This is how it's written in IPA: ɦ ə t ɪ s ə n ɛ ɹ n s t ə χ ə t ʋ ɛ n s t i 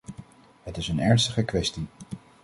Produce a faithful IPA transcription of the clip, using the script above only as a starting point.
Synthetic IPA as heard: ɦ ə t ɪ s ə n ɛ ɹ n s t ə χ ə k ʋ ɛ s t i